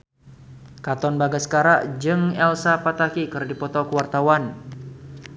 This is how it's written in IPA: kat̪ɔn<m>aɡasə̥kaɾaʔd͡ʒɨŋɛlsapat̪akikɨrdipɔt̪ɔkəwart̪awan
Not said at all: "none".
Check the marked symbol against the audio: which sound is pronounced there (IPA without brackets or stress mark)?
b